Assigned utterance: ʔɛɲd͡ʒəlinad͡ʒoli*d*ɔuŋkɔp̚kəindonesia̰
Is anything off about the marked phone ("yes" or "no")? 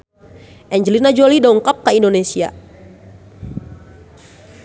no